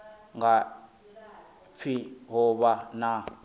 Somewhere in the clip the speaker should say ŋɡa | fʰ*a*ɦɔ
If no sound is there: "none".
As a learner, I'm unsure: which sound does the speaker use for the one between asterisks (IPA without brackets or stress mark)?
i